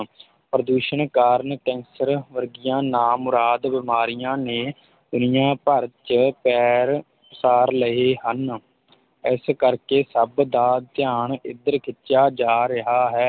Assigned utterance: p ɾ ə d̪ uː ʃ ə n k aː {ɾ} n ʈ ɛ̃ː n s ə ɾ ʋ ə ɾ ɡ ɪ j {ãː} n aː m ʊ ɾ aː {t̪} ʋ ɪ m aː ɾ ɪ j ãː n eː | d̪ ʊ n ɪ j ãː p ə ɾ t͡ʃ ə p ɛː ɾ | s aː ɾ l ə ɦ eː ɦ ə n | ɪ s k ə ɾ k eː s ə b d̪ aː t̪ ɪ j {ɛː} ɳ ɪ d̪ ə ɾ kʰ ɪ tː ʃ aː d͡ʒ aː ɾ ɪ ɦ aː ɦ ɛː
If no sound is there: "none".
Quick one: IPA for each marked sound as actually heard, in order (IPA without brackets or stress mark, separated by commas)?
ɾ, ãː, d̪, aː